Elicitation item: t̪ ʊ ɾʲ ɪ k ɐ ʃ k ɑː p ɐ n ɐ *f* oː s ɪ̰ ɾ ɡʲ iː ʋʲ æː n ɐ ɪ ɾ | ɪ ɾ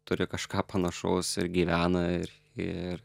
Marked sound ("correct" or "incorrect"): incorrect